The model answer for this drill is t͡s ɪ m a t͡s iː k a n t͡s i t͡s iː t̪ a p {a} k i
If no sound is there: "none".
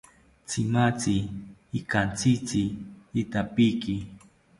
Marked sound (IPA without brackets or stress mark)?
i